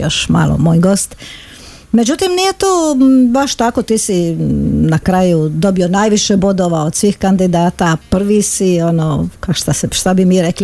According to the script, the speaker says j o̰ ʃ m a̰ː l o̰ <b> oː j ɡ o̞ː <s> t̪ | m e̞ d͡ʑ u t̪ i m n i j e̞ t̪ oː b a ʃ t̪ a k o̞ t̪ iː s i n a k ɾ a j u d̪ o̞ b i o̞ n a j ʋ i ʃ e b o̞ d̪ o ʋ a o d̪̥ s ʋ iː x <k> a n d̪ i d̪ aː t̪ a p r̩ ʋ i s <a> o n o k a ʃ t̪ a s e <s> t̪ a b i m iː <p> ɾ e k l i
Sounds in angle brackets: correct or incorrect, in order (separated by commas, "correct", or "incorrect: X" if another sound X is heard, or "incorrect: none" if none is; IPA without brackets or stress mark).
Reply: incorrect: m, correct, correct, incorrect: i, incorrect: ʃ, incorrect: none